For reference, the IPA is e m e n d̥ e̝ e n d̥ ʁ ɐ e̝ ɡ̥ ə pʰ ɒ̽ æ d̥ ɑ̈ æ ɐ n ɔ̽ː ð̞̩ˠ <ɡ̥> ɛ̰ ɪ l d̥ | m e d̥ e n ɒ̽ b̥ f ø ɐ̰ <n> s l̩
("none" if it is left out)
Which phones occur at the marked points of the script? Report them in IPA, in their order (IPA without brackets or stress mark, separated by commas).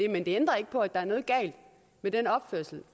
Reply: ɡ̥, none